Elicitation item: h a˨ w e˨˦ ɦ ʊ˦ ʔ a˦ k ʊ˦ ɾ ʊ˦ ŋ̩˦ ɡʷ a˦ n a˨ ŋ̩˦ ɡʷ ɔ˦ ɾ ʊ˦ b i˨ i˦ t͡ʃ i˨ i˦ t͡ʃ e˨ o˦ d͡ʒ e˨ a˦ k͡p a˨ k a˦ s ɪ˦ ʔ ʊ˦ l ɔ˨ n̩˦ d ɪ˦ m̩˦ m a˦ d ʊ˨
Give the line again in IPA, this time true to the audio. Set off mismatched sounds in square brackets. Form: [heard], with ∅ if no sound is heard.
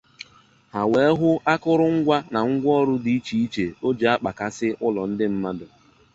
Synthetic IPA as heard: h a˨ w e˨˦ ɦ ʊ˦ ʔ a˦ k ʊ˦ ɾ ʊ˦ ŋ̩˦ ɡʷ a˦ n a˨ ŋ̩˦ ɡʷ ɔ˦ ɾ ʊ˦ [d] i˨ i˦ t͡ʃ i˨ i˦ t͡ʃ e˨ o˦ d͡ʒ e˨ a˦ k͡p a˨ k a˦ s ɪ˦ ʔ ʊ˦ l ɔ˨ n̩˦ d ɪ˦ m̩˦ m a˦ d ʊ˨

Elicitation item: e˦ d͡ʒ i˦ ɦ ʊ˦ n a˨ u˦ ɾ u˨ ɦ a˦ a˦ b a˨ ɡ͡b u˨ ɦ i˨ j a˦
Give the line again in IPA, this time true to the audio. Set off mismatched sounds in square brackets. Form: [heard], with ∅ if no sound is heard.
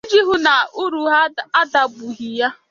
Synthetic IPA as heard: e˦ d͡ʒ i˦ ɦ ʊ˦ n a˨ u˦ ɾ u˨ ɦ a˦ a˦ [d] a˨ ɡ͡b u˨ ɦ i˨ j a˦

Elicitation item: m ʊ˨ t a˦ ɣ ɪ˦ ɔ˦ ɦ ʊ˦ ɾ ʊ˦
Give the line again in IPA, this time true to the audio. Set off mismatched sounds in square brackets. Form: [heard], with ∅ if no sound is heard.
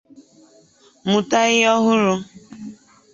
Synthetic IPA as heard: m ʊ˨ t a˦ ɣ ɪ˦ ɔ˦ ɦ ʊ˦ ɾ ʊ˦

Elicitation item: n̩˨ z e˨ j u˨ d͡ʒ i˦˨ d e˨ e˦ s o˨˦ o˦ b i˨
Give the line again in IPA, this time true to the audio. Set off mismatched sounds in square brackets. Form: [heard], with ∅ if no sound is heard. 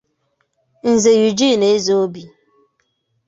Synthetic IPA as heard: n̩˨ z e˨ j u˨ d͡ʒ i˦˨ [n] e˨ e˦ [z] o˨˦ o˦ b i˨

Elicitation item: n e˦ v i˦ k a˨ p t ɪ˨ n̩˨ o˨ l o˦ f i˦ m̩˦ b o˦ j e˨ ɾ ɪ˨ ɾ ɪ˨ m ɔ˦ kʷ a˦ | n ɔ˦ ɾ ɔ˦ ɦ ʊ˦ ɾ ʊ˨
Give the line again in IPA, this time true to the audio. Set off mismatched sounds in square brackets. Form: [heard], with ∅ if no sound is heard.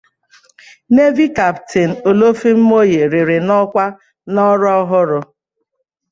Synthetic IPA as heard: n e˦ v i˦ k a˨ p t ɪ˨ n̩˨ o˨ l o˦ f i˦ m̩˦ [m] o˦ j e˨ ɾ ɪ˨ ɾ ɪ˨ [n] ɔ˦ kʷ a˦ | n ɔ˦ ɾ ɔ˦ ɦ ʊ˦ ɾ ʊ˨

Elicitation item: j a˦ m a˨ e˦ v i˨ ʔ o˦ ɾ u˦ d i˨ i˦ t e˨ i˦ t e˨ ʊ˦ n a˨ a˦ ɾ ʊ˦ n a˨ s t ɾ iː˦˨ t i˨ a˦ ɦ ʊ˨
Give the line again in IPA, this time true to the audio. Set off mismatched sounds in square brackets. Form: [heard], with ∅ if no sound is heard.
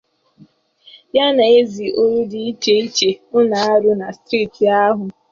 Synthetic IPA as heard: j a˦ [n] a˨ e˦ [z] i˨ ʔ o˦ ɾ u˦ d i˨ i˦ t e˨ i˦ [t͡ʃ] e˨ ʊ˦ n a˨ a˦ ɾ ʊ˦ n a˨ s t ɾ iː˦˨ t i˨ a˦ ɦ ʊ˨

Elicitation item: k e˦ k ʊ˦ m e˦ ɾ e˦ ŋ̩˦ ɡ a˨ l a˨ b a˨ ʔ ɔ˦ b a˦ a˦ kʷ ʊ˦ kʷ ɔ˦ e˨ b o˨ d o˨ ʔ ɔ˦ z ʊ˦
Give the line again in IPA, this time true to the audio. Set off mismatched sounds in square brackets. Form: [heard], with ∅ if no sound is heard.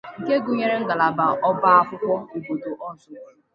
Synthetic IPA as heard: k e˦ [ɡ] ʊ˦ [ɲ] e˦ ɾ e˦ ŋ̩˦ ɡ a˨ l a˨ b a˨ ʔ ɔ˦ b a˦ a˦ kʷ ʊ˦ kʷ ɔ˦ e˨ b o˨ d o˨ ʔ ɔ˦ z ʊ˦

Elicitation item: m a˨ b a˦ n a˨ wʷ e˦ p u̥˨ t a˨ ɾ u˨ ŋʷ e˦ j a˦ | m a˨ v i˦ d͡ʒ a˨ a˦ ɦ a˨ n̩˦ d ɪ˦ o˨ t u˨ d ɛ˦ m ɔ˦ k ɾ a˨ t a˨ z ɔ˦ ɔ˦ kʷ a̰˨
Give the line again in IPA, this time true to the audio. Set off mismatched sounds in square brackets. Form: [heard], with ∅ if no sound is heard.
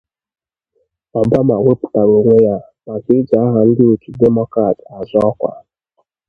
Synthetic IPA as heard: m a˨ b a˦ [m] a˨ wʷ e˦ p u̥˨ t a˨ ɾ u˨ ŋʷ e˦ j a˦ | m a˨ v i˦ d͡ʒ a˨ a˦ ɦ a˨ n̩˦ d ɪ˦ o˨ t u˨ d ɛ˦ m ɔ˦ k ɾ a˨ t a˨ z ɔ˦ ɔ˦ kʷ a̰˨

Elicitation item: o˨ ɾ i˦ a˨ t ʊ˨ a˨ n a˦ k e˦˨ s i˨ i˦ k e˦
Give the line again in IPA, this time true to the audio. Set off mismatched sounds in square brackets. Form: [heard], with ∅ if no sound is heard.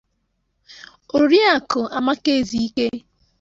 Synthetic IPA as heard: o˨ ɾ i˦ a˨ [k] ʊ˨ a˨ [m] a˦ k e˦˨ [z] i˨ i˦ k e˦

